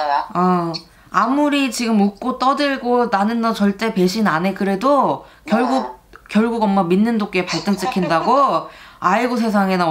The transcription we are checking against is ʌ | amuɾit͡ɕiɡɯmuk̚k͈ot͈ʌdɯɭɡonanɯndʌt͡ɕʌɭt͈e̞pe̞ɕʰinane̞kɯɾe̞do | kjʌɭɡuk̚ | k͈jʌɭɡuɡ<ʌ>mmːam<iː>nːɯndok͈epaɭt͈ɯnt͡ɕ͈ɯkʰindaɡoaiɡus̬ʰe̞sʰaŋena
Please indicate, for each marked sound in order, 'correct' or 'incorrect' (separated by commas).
correct, incorrect